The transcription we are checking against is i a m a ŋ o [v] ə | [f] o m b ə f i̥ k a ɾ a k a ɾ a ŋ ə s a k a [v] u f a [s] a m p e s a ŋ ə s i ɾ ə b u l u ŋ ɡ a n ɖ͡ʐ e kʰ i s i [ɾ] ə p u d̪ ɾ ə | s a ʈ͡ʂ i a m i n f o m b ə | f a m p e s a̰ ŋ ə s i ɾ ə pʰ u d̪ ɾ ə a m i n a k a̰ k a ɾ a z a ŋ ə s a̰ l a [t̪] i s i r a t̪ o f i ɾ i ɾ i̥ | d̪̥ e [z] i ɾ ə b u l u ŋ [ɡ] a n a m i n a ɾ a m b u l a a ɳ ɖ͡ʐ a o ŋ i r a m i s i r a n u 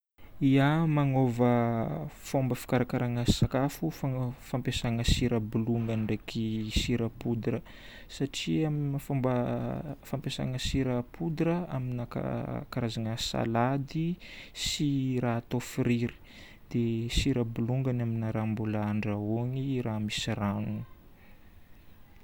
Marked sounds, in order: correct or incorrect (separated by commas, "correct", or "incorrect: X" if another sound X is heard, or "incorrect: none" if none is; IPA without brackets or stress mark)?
correct, correct, incorrect: f, incorrect: f, correct, incorrect: d̪, incorrect: s, correct